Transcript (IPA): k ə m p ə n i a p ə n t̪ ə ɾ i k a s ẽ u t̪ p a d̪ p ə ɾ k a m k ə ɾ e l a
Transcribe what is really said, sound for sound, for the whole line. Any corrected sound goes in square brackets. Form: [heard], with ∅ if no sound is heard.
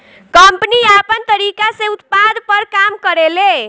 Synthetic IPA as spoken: k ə m p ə n i a p ə n t̪ ə ɾ i k a s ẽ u t̪ p a d̪ p ə ɾ k a m k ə ɾ e l [e]